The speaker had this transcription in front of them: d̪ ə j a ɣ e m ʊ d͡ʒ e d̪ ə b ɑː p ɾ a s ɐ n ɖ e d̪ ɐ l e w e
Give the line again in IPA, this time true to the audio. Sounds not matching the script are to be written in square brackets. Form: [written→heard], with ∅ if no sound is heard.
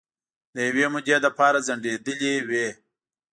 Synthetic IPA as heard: d̪ ə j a [ɣ→w] e m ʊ d͡ʒ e d̪ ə [b→p] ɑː [p→∅] ɾ a [s→z] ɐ [n→ɳ] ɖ e d̪ [ɐ→ə] l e w e